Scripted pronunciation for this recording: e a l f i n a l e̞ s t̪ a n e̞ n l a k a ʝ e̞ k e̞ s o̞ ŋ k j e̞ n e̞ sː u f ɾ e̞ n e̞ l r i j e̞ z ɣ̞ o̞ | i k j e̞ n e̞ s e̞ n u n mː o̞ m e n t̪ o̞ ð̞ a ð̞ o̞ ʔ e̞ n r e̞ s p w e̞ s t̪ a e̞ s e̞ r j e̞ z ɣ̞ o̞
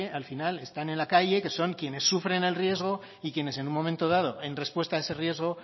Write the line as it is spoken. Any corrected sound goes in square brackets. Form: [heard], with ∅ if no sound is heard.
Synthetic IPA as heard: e a l f i n a l e̞ s t̪ a n e̞ n l a k a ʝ e̞ k e̞ s o̞ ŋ k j e̞ n e̞ sː u f ɾ e̞ n e̞ l r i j e̞ z ɣ̞ o̞ | i k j e̞ n e̞ s e̞ n u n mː o̞ m e n t̪ o̞ ð̞ a ð̞ o̞ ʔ e̞ n r e̞ s p w e̞ s t̪ a e̞ s e̞ r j e̞ z ɣ̞ o̞